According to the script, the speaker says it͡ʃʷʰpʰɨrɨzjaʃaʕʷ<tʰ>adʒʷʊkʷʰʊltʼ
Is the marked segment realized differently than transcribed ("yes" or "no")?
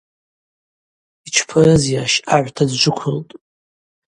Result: no